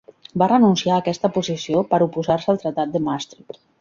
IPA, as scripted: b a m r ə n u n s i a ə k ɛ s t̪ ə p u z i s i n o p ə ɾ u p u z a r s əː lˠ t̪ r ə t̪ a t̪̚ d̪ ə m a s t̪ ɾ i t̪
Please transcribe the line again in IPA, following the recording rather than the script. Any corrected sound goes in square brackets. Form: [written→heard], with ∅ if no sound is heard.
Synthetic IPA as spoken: b a [m→∅] r ə n u n s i a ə k ɛ s t̪ ə p u z i s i [n→∅] o p ə ɾ u p u z a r s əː lˠ t̪ [r→ɾ] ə t̪ a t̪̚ d̪ ə m a s t̪ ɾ i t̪